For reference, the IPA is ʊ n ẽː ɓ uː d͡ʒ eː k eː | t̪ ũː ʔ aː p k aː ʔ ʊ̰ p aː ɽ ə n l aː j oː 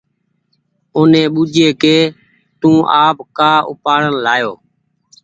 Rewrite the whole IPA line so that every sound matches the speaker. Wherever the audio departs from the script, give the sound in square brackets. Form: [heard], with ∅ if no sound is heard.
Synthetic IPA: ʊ n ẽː ɓ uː d͡ʒ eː k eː | t̪ ũː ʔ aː p k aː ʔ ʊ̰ p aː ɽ ə n l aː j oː